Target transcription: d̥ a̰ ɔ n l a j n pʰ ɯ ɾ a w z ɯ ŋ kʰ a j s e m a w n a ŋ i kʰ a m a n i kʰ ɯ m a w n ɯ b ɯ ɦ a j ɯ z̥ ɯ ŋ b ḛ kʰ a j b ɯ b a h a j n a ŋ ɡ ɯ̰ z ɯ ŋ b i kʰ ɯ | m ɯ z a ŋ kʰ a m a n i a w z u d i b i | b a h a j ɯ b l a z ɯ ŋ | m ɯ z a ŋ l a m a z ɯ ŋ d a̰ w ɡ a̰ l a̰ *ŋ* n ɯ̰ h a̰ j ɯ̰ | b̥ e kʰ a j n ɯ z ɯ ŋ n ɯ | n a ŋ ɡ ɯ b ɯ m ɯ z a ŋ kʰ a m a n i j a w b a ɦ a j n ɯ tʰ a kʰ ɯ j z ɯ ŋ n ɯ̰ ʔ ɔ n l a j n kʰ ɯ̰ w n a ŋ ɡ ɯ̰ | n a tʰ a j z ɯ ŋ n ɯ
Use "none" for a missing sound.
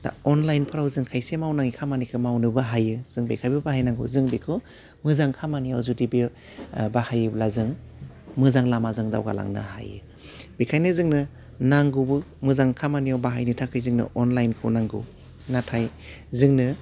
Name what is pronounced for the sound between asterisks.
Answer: ŋ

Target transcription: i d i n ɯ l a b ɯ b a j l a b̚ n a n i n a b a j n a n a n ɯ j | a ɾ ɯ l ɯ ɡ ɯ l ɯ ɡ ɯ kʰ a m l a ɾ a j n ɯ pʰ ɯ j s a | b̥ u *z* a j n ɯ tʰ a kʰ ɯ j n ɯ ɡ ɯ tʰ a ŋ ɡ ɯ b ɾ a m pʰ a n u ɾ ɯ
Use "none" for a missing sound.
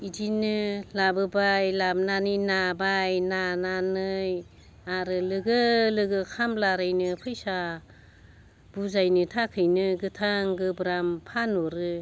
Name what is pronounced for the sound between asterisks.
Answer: z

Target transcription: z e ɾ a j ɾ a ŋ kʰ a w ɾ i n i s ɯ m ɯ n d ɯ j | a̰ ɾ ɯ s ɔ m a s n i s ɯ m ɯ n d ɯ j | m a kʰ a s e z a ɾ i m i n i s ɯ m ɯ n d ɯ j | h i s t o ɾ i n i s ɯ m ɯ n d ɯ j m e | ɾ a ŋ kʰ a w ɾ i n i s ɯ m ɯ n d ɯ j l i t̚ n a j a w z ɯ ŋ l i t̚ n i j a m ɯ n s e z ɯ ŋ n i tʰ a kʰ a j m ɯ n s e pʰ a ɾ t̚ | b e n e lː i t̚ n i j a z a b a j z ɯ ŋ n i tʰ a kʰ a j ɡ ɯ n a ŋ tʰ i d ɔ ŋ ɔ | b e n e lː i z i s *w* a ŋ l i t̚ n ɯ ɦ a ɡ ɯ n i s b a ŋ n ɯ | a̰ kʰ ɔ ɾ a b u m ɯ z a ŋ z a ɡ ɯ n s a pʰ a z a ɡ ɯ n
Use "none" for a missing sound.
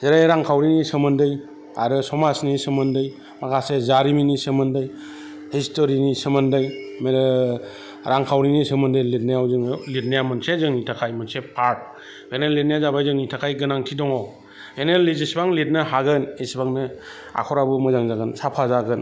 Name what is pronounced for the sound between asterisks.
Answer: b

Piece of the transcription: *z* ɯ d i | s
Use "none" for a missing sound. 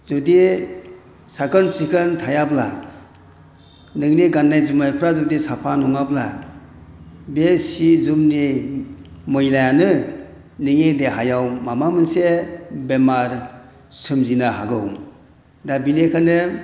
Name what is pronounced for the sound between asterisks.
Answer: z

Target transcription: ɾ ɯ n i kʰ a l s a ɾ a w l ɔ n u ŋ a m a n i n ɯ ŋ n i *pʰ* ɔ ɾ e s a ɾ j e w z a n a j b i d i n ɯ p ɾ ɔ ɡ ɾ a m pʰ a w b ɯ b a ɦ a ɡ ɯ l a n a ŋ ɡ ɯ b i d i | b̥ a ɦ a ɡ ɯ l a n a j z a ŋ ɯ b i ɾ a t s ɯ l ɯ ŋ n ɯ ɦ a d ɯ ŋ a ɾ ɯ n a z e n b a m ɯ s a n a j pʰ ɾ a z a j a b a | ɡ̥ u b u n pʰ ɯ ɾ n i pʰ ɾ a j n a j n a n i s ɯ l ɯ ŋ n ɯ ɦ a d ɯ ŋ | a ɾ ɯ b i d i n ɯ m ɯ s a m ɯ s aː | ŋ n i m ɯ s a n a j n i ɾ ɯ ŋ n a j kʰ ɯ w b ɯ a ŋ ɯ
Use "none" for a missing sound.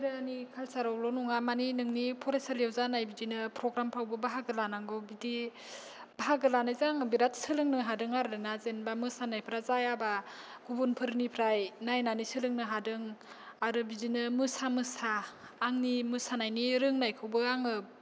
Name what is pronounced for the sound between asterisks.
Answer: pʰ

